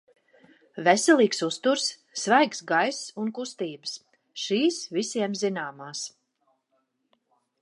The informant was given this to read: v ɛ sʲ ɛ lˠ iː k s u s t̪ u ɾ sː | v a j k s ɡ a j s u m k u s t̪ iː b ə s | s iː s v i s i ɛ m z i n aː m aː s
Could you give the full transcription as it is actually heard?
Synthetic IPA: v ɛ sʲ ɛ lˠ iː k s u s t̪ u ɾ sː | v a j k s ɡ a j s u n k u s t̪ iː b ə s | ʃ iː s v i s i ɛ m z i n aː m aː s